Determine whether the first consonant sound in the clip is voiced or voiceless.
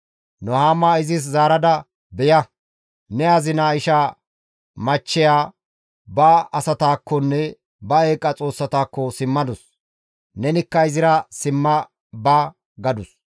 voiced